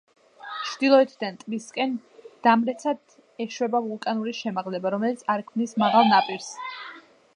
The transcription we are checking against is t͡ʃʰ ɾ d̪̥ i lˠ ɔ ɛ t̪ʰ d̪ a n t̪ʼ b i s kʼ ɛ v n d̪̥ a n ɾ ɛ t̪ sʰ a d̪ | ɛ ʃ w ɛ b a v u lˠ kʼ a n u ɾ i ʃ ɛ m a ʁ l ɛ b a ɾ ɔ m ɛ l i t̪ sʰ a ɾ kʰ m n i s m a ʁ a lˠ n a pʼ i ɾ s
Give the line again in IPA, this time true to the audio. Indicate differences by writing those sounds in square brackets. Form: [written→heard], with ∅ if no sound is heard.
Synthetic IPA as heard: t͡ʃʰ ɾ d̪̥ i lˠ ɔ ɛ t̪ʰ d̪ a n t̪ʼ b i s kʼ ɛ [v→∅] n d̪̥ a [n→m] ɾ ɛ t̪ sʰ a d̪ | ɛ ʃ w ɛ b a v u lˠ kʼ a n u ɾ i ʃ ɛ m a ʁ l ɛ b a ɾ ɔ m ɛ l i t̪ sʰ a ɾ kʰ m n i s m a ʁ a lˠ n a pʼ i ɾ s

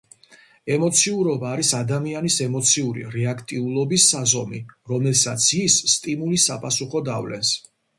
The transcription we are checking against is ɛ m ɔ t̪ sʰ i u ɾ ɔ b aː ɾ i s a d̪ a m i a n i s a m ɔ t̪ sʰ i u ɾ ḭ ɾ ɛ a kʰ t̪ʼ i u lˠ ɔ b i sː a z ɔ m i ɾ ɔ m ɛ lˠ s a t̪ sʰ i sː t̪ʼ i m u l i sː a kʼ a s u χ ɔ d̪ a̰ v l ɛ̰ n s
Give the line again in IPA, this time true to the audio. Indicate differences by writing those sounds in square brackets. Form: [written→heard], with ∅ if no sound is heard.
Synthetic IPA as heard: ɛ m ɔ t̪ sʰ i u ɾ ɔ b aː ɾ i s a d̪ a m i a n i s [a→ɛ] m ɔ t̪ sʰ i u ɾ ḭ ɾ ɛ a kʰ t̪ʼ i u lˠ ɔ b i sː a z ɔ m i ɾ ɔ m ɛ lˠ s a t̪ sʰ i sː t̪ʼ i m u l i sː a [kʼ→pʼ] a s u χ ɔ d̪ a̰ v l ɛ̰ n s

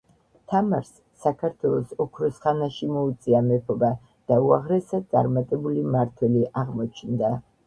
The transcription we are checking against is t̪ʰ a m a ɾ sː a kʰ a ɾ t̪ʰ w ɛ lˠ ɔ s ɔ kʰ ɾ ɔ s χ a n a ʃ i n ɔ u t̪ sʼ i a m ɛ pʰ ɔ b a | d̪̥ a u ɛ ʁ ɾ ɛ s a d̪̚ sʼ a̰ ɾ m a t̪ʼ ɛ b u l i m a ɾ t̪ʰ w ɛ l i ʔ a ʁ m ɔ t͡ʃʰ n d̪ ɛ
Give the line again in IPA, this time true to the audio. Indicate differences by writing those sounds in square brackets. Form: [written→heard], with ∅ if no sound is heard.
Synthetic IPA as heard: t̪ʰ a m a ɾ sː a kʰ a ɾ t̪ʰ w ɛ lˠ ɔ s ɔ kʰ ɾ ɔ s χ a n a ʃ i [n→m] ɔ u t̪ sʼ i a m ɛ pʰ ɔ b a | d̪̥ a u [ɛ→a] ʁ ɾ ɛ s a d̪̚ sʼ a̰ ɾ m a t̪ʼ ɛ b u l i m a ɾ t̪ʰ w ɛ l i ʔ a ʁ m ɔ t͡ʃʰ n d̪ [ɛ→a]

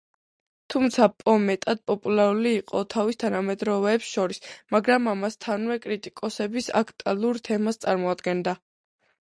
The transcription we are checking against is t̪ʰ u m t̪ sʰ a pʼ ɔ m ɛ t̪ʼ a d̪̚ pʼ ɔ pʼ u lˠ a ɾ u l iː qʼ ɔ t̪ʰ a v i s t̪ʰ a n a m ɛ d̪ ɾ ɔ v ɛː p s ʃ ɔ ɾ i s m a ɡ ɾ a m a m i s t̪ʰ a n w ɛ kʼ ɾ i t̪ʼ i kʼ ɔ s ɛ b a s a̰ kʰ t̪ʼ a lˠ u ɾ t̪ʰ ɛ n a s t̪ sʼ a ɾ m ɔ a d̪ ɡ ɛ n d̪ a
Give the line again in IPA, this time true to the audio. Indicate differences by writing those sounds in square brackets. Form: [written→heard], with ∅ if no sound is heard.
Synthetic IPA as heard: t̪ʰ u m t̪ sʰ a pʼ ɔ m ɛ t̪ʼ a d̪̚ pʼ ɔ pʼ u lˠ a ɾ u l iː qʼ ɔ t̪ʰ a v i s t̪ʰ a n a m ɛ d̪ ɾ ɔ v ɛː p s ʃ ɔ ɾ i s m a ɡ ɾ a m a m [i→a] s t̪ʰ a n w ɛ kʼ ɾ i t̪ʼ i kʼ ɔ s ɛ b [a→i] s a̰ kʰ t̪ʼ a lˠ u ɾ t̪ʰ ɛ [n→m] a s t̪ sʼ a ɾ m ɔ a d̪ ɡ ɛ n d̪ a

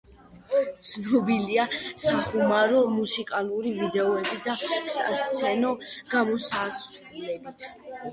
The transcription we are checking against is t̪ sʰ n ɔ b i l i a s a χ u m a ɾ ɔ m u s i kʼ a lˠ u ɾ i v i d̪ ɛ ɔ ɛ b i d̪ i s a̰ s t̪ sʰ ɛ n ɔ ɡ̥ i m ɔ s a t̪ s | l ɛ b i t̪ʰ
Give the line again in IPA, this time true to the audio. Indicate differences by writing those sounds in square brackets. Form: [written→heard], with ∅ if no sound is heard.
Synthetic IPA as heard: t̪ sʰ n ɔ b i l i a s a χ u m a ɾ ɔ m u s i kʼ a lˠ u ɾ i v i d̪ ɛ ɔ ɛ b i d̪ [i→a] s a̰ s t̪ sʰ ɛ n ɔ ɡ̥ [i→a] m ɔ s a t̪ s | l ɛ b i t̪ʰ

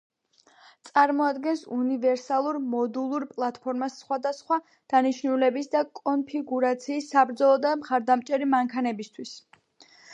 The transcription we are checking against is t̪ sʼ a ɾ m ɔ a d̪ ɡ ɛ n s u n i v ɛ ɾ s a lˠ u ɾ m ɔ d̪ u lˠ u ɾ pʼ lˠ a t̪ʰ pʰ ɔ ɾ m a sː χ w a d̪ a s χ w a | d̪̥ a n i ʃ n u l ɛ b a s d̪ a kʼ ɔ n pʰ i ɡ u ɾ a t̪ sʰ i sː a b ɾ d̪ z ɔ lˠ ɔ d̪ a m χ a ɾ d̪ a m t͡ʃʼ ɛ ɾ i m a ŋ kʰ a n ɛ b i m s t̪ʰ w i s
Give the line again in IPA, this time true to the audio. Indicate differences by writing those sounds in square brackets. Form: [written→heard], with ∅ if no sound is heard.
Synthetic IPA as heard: t̪ sʼ a ɾ m ɔ a d̪ ɡ ɛ n s u n i v ɛ ɾ s a lˠ u ɾ m ɔ d̪ u lˠ u ɾ pʼ lˠ a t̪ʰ pʰ ɔ ɾ m a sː χ w a d̪ a s χ w a | d̪̥ a n i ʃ n u l ɛ b [a→i] s d̪ a kʼ ɔ n pʰ i ɡ u ɾ a t̪ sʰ [i→iː] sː a b ɾ d̪ z ɔ lˠ ɔ d̪ a m χ a ɾ d̪ a m t͡ʃʼ ɛ ɾ i m a ŋ kʰ a n ɛ b i [m→∅] s t̪ʰ w i s

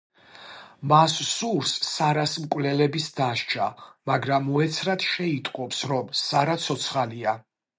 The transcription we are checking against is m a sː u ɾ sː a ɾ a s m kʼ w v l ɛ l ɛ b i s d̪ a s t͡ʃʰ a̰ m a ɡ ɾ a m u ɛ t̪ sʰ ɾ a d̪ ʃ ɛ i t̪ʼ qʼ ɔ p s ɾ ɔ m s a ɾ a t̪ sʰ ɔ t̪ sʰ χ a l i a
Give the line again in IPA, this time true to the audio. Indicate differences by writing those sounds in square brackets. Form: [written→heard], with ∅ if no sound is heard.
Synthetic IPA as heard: m a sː u ɾ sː a ɾ a s m kʼ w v l ɛ l ɛ b i s d̪ a [s→ʃ] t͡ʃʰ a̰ m a ɡ ɾ a m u ɛ t̪ sʰ ɾ a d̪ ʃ ɛ i t̪ʼ qʼ ɔ p s ɾ ɔ m s a ɾ a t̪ sʰ ɔ t̪ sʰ χ a l i a

